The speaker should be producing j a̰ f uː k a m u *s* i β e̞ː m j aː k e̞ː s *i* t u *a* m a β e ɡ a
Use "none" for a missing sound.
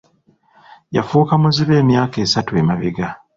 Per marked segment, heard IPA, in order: z, a, e

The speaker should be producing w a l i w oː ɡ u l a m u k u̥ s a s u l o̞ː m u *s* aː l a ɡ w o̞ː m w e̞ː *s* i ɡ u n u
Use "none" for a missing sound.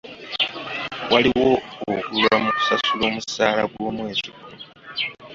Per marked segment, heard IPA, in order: s, z

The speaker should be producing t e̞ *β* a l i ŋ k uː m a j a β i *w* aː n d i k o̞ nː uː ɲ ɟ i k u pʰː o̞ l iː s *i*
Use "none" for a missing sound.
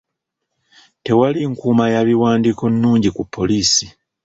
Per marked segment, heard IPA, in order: w, w, i

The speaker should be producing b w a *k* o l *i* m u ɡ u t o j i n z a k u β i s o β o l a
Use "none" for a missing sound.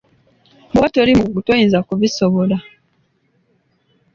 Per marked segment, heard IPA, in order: t, i

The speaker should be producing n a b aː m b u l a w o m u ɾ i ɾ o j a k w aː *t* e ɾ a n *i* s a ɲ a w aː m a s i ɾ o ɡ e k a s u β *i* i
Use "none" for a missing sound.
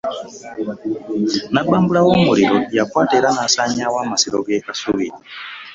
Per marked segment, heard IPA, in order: t, a, i

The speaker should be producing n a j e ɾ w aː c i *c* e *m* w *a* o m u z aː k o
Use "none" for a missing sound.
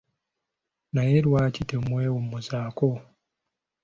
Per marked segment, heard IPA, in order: t, m, e

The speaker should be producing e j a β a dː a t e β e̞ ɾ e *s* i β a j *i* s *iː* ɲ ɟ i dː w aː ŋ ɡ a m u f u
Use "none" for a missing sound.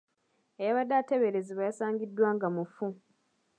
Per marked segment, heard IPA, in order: z, a, aː

